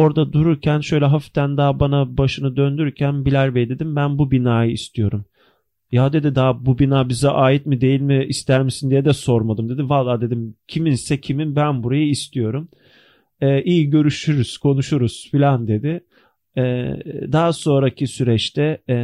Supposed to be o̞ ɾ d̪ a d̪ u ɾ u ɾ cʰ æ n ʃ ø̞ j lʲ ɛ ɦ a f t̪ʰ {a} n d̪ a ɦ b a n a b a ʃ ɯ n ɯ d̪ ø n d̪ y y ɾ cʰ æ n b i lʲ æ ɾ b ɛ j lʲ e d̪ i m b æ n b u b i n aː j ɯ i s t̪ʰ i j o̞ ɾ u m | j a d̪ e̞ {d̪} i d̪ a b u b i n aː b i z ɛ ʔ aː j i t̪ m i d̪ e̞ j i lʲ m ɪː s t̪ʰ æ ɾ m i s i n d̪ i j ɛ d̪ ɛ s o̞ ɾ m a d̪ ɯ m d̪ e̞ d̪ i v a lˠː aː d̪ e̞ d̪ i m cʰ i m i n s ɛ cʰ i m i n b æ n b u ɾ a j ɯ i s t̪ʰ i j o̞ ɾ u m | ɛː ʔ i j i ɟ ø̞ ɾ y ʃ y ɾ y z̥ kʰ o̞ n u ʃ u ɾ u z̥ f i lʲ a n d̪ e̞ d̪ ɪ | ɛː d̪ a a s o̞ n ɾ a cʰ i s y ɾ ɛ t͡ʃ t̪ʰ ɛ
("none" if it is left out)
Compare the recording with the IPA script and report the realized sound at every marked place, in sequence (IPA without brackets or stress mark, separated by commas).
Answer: æ, d̪